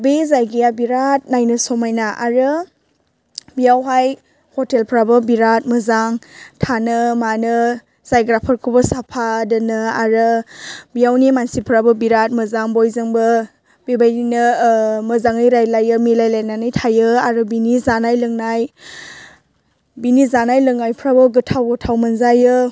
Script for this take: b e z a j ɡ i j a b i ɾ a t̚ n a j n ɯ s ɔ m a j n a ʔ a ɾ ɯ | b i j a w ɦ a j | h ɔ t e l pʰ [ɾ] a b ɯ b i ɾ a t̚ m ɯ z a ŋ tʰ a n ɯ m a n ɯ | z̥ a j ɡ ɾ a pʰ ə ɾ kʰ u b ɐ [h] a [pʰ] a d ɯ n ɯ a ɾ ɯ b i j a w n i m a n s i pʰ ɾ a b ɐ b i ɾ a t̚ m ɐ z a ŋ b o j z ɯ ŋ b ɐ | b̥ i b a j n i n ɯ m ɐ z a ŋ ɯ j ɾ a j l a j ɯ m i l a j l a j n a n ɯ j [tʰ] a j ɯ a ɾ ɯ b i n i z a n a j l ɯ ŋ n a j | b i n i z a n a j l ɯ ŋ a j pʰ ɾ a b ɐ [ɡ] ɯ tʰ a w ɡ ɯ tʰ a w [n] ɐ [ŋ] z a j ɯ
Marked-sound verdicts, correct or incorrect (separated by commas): correct, incorrect, correct, correct, correct, incorrect, incorrect